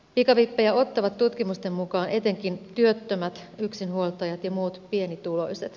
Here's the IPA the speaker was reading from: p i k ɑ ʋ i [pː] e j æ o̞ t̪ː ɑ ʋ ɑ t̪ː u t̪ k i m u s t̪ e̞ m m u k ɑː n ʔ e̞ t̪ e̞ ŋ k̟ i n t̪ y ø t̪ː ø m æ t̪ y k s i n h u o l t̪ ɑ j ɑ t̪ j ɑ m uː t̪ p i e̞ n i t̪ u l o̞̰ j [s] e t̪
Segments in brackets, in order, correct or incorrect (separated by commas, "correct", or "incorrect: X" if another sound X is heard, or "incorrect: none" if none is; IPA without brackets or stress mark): correct, correct